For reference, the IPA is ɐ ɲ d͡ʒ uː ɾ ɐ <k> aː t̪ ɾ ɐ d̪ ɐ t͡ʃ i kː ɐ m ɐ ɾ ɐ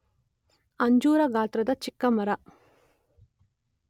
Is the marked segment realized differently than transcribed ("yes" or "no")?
yes